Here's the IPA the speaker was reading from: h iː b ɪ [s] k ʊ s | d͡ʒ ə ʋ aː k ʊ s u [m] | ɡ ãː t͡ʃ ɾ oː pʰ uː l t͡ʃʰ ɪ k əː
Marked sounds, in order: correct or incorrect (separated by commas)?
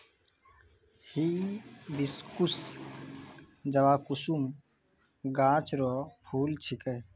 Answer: correct, correct